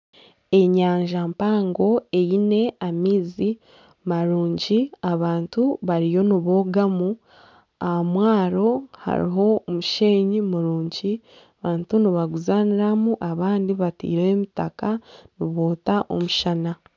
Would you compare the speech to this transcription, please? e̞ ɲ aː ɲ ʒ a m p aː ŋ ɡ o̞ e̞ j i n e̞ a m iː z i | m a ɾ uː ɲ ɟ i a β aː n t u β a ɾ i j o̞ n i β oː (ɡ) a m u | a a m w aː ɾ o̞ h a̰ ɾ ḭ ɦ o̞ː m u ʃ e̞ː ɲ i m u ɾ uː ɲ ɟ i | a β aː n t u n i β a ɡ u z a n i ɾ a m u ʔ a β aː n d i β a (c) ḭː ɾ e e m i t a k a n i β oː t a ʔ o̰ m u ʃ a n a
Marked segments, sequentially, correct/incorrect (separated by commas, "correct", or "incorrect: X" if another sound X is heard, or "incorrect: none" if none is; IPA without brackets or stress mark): correct, incorrect: t